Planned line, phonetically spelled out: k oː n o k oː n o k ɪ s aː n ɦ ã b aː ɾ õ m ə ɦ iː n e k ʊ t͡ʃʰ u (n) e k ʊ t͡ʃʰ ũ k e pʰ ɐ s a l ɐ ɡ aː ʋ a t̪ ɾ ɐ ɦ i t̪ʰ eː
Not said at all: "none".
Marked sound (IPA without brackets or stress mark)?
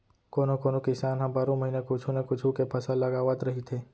n